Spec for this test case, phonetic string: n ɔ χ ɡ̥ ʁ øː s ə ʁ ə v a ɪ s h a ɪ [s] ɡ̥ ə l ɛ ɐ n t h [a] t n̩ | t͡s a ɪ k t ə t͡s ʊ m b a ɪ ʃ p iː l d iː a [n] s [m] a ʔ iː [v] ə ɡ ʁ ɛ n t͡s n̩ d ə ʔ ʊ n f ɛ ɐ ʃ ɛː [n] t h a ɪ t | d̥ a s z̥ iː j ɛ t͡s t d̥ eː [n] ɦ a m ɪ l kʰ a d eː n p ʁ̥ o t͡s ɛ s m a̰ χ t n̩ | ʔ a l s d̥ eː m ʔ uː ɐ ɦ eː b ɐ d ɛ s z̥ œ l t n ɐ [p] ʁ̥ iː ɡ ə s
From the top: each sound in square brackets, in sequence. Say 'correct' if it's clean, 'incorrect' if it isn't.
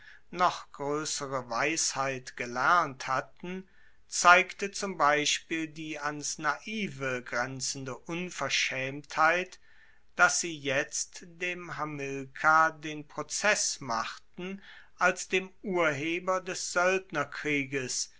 incorrect: t, correct, correct, incorrect: n, correct, incorrect: m, incorrect: m, incorrect: k

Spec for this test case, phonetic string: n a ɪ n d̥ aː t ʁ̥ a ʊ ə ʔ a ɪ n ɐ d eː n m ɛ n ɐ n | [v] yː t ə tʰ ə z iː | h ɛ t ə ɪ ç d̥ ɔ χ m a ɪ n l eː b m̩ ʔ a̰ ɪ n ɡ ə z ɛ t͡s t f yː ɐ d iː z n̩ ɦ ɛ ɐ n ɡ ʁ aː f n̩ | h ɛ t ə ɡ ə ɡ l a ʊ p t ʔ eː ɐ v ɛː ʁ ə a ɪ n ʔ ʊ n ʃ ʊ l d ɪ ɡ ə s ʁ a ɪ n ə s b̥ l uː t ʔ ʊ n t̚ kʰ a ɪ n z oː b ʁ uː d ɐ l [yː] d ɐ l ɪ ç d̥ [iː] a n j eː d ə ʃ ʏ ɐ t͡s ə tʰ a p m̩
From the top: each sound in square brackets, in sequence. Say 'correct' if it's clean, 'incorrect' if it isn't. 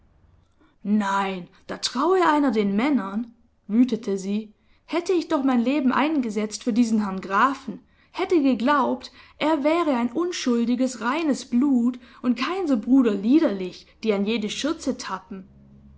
correct, incorrect: iː, correct

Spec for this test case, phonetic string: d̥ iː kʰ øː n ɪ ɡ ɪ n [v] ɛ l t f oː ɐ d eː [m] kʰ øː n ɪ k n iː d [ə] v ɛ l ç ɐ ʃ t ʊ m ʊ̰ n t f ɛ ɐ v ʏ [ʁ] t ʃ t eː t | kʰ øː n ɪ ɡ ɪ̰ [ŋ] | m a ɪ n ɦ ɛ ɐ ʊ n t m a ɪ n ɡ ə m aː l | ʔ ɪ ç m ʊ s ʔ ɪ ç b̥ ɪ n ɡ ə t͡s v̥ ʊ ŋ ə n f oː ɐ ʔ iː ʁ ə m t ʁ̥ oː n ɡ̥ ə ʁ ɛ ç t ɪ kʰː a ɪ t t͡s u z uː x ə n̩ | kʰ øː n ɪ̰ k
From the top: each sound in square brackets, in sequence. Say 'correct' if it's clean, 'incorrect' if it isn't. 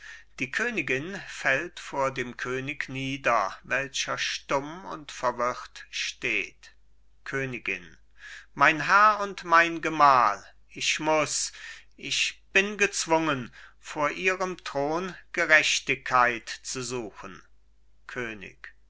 incorrect: f, correct, incorrect: ɐ, correct, incorrect: n

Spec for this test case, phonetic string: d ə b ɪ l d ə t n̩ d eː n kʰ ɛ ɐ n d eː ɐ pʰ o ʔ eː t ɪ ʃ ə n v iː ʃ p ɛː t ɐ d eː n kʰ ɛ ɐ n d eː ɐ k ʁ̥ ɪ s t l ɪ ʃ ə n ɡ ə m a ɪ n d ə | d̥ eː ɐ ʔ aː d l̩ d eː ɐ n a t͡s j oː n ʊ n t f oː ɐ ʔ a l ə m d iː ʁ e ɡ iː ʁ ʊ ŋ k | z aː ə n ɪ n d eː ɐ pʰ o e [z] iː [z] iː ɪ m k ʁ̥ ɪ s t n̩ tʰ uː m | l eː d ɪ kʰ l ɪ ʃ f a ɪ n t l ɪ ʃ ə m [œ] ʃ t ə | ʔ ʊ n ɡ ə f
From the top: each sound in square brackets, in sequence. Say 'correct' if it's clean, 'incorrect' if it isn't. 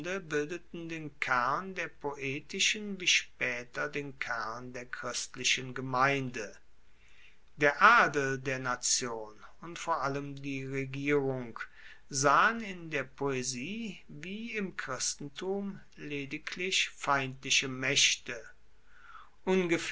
correct, incorrect: v, incorrect: ɛ

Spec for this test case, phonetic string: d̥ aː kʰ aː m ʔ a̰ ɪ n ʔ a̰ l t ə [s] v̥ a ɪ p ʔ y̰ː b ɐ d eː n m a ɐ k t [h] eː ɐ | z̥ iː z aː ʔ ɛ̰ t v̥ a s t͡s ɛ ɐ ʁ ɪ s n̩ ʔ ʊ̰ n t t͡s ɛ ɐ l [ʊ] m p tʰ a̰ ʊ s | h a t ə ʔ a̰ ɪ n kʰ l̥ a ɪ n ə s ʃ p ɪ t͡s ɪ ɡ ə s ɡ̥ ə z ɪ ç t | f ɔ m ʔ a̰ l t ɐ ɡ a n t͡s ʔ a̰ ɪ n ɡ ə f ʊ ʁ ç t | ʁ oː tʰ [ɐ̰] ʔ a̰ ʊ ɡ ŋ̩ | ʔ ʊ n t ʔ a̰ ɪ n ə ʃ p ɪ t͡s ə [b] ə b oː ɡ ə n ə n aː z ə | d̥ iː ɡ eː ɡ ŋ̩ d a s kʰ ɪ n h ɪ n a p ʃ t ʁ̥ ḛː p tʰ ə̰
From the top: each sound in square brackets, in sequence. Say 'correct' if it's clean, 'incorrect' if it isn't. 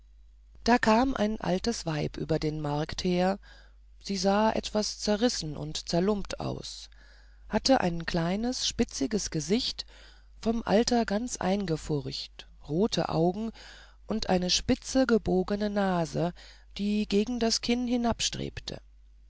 correct, correct, correct, incorrect: ə̰, incorrect: ɡ

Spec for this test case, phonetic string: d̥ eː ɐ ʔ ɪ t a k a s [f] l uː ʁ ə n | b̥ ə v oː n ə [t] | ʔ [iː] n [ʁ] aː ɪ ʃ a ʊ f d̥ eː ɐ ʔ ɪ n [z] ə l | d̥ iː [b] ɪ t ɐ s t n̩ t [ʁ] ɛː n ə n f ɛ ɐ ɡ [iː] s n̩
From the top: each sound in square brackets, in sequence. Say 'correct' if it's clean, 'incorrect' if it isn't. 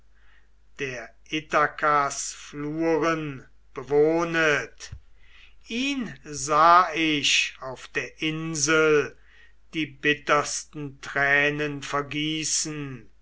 correct, correct, correct, incorrect: z, correct, correct, correct, correct

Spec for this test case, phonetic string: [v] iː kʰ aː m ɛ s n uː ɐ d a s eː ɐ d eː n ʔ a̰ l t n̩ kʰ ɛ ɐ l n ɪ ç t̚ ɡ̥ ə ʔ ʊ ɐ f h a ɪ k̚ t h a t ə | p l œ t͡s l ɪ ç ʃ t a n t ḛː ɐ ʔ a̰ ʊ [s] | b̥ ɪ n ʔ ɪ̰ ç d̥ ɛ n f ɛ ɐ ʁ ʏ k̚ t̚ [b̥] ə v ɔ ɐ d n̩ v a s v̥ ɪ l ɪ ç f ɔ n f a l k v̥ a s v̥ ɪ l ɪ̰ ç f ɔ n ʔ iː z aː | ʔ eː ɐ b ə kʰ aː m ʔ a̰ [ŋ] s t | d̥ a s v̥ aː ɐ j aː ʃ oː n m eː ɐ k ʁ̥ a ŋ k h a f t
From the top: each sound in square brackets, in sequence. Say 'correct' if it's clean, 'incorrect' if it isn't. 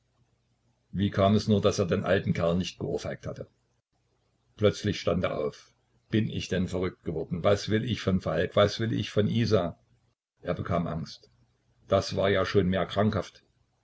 correct, incorrect: f, incorrect: ɡ̥, correct

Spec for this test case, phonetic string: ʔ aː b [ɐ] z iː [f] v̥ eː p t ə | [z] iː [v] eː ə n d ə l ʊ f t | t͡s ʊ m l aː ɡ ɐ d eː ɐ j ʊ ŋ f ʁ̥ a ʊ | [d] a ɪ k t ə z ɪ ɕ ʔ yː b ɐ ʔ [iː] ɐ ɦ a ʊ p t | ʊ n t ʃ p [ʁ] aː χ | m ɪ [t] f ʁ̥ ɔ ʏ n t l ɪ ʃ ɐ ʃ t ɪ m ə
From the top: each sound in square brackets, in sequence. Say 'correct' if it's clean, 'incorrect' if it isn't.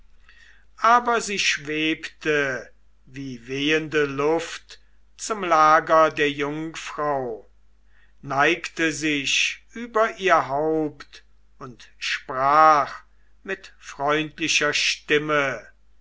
correct, incorrect: ʃ, incorrect: v, correct, incorrect: n, correct, correct, correct

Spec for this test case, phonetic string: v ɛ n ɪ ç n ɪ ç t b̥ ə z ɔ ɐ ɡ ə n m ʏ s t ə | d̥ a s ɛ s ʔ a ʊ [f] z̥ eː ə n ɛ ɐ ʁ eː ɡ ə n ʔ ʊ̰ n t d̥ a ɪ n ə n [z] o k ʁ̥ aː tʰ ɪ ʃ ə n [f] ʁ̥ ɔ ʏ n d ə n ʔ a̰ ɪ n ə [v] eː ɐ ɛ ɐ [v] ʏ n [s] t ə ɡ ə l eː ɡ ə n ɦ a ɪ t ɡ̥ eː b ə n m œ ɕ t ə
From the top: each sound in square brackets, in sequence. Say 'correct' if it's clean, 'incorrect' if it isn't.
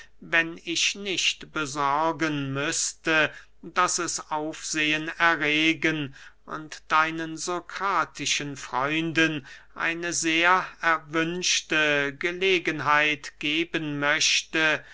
correct, correct, correct, incorrect: z, correct, incorrect: ʃ

